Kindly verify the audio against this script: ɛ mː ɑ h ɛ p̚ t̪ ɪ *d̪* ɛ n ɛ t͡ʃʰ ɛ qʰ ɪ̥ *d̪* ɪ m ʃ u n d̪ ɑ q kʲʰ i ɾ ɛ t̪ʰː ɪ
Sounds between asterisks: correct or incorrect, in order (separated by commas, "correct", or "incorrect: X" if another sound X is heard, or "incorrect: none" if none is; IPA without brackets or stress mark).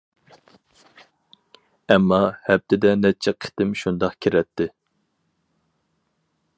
correct, incorrect: t̪